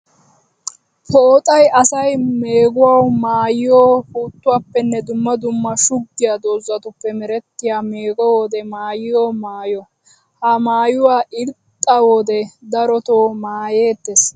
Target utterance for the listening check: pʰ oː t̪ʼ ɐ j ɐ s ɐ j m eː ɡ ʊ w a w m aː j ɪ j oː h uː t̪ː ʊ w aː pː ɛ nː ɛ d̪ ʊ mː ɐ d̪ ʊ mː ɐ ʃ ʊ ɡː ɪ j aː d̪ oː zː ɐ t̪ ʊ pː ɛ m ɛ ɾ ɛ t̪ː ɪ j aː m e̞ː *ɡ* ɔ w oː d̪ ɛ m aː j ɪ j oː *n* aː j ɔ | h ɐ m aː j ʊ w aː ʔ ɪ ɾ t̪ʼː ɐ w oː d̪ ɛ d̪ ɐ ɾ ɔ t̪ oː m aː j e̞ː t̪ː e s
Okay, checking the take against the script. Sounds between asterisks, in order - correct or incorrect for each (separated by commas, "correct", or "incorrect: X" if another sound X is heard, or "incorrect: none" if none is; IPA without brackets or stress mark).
correct, incorrect: m